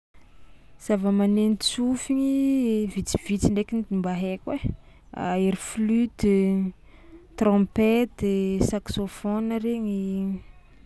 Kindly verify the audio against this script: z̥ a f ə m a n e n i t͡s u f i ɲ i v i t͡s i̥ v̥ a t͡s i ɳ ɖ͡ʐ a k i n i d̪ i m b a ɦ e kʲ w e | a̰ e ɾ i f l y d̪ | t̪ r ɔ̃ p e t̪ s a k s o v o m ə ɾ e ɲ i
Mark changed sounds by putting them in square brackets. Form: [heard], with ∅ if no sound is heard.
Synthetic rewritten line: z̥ a [v] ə m a n e n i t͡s u f i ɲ i v i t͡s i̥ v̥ [i] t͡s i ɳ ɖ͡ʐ [e] k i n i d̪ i m b a ɦ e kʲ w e | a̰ e ɾ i f l y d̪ | t̪ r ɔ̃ p e t̪ s a k s o [f] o [n] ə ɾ e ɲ i

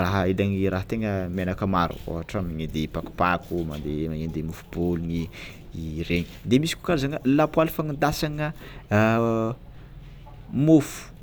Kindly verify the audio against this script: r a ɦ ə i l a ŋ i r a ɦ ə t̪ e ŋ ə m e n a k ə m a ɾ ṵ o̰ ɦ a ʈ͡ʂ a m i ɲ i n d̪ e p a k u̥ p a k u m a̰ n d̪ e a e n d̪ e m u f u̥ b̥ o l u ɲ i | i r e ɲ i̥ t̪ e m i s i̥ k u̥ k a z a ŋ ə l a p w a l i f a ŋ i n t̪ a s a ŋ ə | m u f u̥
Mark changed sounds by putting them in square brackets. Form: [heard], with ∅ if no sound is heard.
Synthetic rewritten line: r a ɦ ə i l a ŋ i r a ɦ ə t̪ e ŋ ə m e n a k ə m a ɾ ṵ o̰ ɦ a ʈ͡ʂ a m i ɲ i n d̪ e p a k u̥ p a k u m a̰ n d̪ e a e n d̪ e m u f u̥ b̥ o l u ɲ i | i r e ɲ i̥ [d̪] e m i s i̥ k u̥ k a z a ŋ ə l a p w a l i f a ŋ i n [d̪] a s a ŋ ə | m u f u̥

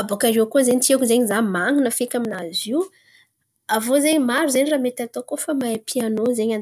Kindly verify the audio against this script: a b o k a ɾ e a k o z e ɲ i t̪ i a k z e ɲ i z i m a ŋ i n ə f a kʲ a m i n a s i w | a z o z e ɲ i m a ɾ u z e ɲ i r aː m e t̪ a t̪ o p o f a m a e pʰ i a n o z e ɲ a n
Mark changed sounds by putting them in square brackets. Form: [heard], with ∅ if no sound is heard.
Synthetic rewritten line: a b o k a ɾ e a k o z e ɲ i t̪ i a k z e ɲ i z [a] m a ŋ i n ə f [e] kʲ a m i n a [z] i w | a [v] o z e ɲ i m a ɾ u z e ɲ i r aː m e t̪ a t̪ o [k] o f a m a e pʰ i a n o z e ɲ a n

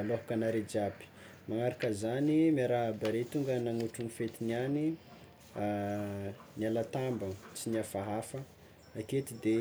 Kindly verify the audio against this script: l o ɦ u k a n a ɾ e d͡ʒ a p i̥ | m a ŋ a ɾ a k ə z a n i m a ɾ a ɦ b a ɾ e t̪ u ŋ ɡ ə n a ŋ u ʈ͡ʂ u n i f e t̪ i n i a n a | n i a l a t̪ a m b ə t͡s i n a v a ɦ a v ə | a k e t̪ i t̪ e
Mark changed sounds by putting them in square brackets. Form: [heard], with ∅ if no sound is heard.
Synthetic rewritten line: l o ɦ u k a n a ɾ e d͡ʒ a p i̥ | m a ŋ a ɾ a k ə z a n i m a ɾ a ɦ b a ɾ e t̪ u ŋ ɡ ə n a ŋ u ʈ͡ʂ u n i f e t̪ i n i a n [i] | n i a l a t̪ a m b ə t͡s i n a [f] a ɦ a [f] ə | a k e t̪ i [d̪] e

